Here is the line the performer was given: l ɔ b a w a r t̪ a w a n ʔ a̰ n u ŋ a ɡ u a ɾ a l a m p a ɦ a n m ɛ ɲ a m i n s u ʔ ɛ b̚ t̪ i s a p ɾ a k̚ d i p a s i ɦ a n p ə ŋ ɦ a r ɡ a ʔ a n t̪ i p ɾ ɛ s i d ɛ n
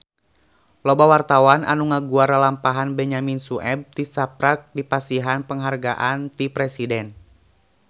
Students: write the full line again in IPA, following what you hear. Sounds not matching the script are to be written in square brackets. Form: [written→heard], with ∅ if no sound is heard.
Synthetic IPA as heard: l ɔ b a w a r t̪ a w a n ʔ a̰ n u ŋ a ɡ u a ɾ a l a m p a ɦ a n [m→b] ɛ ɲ a m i n s u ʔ ɛ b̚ t̪ i s a p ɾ a k̚ d i p a s i ɦ a n p ə ŋ ɦ a r ɡ a ʔ a n t̪ i p ɾ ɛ s i d ɛ n